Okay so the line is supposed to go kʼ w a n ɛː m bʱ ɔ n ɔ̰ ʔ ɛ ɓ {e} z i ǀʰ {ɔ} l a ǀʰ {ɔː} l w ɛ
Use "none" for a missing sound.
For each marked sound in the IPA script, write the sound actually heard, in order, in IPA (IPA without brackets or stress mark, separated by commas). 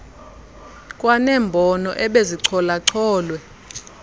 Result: e, ɔ, ɔː